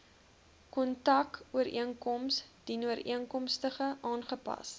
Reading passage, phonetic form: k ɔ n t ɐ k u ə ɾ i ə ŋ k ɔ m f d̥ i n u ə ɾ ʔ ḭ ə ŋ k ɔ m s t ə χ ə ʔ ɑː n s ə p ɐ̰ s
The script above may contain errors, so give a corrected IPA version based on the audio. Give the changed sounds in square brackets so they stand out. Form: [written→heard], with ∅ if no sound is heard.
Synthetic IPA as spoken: k ɔ n t ɐ k u ə ɾ i ə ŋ k ɔ m [f→s] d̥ i n u ə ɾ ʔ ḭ ə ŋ k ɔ m s t ə χ ə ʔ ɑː n [s→χ] ə p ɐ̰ s